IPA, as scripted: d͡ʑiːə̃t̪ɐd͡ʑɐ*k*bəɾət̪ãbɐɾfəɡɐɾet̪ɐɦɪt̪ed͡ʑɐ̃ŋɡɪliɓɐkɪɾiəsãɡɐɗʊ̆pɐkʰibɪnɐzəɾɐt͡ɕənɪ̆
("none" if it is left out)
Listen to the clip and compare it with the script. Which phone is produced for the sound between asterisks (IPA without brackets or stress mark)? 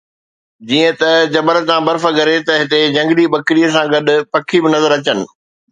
none